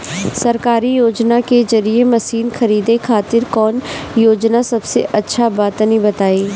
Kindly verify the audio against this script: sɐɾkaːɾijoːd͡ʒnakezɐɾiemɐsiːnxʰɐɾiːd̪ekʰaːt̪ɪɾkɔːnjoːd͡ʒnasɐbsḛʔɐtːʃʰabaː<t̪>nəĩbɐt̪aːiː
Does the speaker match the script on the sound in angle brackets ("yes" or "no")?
yes